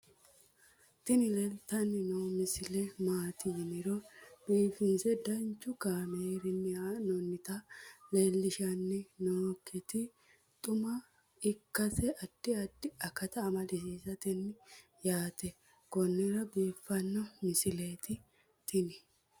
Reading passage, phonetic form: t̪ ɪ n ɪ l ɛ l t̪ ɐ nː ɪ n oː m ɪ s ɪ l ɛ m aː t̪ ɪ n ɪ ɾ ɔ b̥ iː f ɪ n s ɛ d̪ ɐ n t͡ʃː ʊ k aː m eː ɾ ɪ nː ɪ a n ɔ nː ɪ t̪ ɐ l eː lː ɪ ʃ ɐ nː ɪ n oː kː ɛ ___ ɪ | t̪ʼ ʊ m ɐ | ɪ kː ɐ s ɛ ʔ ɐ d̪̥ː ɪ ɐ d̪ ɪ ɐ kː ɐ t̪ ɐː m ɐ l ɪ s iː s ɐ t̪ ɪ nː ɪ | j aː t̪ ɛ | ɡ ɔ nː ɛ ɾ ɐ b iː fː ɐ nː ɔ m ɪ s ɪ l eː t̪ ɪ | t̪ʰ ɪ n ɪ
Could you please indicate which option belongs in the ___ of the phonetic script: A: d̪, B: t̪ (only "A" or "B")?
B